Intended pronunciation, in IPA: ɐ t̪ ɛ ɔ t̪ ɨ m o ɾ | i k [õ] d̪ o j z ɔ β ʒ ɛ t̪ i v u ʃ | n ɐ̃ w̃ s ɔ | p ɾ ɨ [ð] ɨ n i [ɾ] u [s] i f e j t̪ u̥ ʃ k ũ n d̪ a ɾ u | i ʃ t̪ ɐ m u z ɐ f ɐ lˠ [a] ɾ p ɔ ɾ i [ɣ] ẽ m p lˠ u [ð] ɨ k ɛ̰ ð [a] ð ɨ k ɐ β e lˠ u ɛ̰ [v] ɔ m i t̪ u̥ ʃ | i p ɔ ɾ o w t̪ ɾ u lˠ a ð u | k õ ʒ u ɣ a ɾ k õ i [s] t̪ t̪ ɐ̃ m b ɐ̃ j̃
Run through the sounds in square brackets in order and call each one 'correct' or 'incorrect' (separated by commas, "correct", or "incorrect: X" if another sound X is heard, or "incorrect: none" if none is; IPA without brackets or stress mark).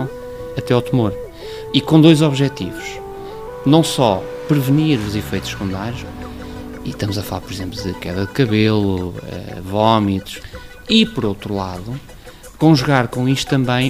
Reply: correct, incorrect: v, correct, incorrect: z, correct, incorrect: z, correct, incorrect: ɐ, correct, incorrect: ʃ